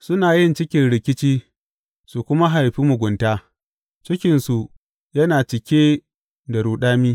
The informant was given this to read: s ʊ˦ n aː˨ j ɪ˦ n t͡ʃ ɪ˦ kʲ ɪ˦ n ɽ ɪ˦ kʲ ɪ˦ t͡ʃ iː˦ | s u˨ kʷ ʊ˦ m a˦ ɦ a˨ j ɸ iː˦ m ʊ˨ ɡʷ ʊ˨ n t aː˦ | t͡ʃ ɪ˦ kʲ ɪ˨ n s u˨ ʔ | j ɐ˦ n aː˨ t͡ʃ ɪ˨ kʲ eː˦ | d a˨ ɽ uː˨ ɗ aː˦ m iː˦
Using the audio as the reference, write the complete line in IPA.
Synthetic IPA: s ʊ˦ n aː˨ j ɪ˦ n t͡ʃ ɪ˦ kʲ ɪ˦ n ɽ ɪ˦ kʲ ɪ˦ t͡ʃ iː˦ | s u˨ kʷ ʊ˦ m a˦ ɦ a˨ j ɸ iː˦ m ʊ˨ ɡʷ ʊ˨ n t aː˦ | t͡ʃ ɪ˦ kʲ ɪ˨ n s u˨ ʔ | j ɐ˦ n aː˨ t͡ʃ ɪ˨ kʲ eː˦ | d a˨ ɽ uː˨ ɗ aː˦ m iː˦